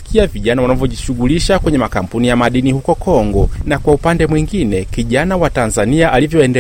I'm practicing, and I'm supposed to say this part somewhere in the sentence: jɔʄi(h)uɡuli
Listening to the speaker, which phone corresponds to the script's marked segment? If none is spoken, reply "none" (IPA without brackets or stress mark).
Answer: ʃ